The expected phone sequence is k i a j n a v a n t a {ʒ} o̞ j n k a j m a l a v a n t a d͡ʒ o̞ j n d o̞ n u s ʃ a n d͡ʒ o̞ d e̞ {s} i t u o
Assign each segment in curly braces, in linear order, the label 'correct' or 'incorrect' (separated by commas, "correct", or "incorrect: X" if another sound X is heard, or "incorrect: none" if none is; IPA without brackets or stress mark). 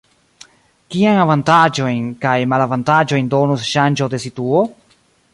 incorrect: d͡ʒ, correct